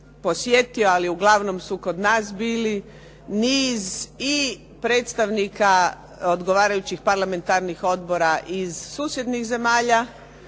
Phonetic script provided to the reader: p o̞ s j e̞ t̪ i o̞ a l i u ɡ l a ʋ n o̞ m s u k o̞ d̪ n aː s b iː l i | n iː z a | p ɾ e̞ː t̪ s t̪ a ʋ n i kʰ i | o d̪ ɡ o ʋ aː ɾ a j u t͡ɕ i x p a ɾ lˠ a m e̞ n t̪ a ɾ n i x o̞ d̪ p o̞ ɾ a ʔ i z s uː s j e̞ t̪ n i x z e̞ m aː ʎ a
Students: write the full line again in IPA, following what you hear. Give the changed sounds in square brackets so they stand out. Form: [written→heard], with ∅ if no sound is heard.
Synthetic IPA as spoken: p o̞ s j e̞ t̪ i o̞ a l i u ɡ l a ʋ n o̞ m s u k o̞ d̪ n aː s b iː l i | n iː z [a→i] | p ɾ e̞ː t̪ s t̪ a ʋ n i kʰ [i→a] | o d̪ ɡ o ʋ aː ɾ a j u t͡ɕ i x p a ɾ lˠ a m e̞ n t̪ a ɾ n i x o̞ d̪ [p→b] o̞ ɾ a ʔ i z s uː s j e̞ [t̪→d̪] n i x z e̞ m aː ʎ a